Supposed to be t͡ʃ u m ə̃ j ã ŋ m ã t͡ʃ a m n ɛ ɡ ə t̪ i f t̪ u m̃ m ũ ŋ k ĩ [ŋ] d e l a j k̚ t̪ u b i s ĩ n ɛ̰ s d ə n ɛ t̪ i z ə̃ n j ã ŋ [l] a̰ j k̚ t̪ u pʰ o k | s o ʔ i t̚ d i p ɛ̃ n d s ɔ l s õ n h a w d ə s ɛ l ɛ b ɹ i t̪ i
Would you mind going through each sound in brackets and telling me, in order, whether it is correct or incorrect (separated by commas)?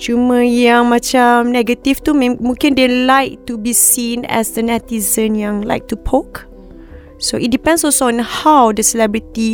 incorrect, correct